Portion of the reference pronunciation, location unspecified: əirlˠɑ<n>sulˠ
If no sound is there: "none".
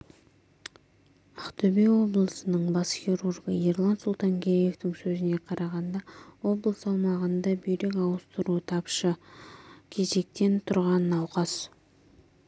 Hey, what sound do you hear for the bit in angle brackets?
n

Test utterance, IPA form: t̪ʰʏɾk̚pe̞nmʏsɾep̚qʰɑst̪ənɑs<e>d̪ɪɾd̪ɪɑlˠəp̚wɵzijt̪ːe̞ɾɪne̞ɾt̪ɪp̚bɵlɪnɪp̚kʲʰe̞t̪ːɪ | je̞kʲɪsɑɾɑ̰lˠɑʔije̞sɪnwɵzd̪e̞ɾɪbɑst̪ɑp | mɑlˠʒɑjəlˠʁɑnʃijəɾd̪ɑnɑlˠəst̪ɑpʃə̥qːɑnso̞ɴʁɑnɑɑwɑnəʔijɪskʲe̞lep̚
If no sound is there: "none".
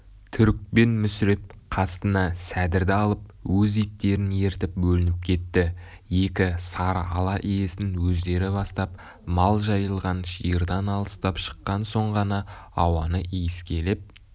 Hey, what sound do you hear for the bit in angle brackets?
æ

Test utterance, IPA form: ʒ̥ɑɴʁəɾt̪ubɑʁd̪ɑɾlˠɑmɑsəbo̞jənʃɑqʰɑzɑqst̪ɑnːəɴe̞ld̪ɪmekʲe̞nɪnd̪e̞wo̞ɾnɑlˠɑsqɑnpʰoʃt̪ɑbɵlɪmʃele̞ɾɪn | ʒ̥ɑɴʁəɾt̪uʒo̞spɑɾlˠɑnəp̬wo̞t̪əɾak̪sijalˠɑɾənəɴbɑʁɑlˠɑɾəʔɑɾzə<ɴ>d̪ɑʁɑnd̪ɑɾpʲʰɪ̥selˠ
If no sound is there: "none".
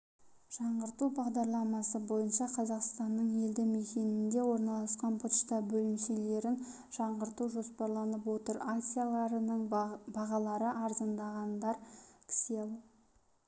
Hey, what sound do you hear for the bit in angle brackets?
n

